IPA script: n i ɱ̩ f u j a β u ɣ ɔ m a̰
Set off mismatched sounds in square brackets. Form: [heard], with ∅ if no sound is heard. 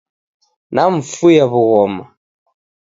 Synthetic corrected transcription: n [a] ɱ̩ f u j a β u ɣ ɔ m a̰